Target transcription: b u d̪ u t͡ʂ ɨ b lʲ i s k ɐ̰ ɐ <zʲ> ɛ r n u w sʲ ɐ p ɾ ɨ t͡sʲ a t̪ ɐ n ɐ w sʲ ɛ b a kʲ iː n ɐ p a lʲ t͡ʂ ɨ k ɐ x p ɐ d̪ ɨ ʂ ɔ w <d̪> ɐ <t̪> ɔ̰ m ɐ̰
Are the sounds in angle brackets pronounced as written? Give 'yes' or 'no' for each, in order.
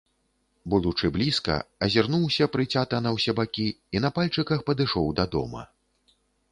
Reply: yes, yes, no

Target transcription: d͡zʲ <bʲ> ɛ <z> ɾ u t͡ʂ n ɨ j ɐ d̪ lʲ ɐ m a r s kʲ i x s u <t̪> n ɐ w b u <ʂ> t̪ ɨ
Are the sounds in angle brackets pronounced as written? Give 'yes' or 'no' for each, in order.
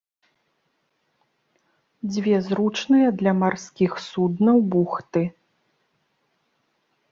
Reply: no, yes, no, no

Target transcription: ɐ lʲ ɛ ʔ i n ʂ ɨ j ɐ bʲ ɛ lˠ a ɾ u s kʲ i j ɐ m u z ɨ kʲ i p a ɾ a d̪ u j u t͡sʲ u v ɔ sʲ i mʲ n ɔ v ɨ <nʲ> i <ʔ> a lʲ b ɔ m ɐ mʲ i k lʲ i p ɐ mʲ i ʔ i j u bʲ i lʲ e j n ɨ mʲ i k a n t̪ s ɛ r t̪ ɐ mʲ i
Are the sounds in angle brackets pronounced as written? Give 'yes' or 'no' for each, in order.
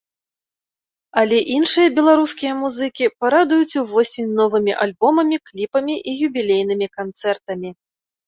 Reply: no, yes

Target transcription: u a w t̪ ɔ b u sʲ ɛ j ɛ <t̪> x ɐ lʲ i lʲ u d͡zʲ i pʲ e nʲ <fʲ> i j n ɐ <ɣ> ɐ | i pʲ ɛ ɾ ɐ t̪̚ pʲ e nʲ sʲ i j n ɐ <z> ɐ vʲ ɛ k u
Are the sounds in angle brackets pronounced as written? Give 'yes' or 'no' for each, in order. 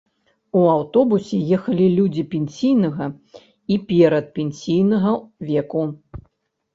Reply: no, no, yes, no

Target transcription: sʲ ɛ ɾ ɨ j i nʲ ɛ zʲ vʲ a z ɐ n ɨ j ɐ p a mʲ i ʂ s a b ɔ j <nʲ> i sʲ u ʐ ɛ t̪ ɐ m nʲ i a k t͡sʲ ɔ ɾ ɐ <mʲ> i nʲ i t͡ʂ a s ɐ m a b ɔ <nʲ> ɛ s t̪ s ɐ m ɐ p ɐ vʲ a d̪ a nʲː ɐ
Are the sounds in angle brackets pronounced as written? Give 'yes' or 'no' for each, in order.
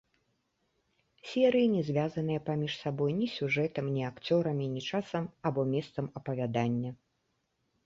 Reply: yes, yes, no

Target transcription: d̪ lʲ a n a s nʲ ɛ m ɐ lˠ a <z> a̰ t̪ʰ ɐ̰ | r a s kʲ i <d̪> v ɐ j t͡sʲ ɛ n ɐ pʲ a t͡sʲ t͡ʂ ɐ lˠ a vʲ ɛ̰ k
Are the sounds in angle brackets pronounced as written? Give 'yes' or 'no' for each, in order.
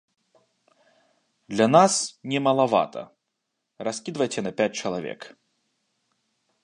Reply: no, yes

